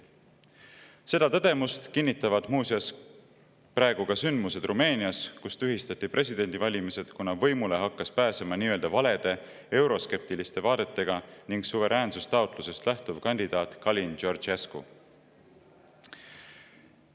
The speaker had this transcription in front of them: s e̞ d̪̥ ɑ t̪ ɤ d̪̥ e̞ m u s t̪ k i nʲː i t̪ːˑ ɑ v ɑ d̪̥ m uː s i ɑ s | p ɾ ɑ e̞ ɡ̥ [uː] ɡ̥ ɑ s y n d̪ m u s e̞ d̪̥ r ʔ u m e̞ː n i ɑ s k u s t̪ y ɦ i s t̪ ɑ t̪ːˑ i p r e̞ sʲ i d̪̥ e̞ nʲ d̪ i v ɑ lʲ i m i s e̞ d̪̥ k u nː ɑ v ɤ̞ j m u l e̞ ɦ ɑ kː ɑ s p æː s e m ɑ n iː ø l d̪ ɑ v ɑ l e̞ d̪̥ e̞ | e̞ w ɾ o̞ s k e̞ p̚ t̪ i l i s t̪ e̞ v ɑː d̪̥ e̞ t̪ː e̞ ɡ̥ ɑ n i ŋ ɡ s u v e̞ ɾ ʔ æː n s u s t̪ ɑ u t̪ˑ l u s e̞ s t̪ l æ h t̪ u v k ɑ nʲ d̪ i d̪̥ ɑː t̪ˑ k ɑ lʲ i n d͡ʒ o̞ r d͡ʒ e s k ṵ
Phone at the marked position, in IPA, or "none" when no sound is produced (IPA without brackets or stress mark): u